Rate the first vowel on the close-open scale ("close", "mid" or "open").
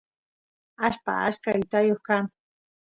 open